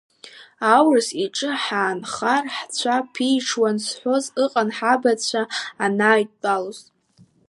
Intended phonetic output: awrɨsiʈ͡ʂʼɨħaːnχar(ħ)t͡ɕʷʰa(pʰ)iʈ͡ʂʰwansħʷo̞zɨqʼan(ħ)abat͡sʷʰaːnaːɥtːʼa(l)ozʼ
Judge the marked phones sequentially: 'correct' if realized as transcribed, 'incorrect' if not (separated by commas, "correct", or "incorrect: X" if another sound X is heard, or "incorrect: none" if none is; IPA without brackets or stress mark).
correct, correct, correct, correct